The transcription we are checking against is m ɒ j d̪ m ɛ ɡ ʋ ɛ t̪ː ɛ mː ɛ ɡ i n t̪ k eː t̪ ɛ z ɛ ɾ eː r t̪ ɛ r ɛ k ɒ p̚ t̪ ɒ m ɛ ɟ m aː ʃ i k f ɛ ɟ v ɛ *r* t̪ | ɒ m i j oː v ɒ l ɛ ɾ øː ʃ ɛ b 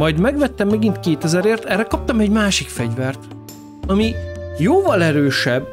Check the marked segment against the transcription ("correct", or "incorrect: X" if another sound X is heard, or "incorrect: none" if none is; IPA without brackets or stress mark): correct